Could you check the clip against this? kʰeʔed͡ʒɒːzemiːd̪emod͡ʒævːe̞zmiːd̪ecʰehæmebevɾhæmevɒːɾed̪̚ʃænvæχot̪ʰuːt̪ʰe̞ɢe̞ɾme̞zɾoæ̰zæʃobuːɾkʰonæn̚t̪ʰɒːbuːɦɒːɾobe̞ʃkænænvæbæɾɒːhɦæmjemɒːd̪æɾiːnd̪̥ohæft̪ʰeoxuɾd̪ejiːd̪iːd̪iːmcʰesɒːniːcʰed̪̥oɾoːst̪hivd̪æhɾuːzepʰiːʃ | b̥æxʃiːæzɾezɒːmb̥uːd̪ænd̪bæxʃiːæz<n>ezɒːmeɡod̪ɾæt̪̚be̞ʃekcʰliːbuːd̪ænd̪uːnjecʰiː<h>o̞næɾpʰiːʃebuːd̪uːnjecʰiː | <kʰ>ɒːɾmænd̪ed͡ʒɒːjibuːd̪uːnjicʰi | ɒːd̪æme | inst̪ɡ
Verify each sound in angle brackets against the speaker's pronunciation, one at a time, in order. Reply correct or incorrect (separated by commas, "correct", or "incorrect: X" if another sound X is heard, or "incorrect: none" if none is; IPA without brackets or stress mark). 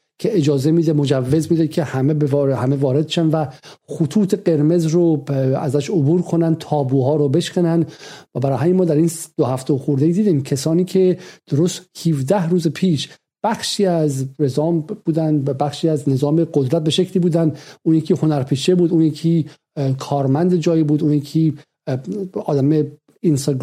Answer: correct, correct, correct